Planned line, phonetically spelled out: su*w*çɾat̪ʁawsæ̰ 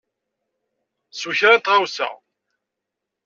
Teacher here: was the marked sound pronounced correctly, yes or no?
no